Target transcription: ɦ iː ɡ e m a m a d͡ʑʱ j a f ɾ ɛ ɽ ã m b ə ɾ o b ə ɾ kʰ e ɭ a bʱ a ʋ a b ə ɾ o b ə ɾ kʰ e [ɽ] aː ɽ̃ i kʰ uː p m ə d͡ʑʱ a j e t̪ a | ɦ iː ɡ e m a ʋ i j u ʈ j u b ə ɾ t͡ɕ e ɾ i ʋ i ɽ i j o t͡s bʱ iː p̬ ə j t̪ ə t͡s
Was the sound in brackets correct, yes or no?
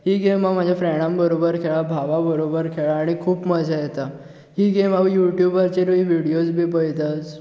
no